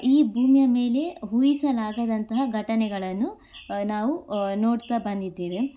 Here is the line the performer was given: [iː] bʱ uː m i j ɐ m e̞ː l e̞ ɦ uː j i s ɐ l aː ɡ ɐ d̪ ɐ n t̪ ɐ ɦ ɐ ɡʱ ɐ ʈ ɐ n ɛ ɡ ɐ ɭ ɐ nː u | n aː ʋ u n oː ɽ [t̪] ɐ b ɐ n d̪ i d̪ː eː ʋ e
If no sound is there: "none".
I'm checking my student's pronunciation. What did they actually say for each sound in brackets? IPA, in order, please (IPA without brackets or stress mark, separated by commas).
iː, t̪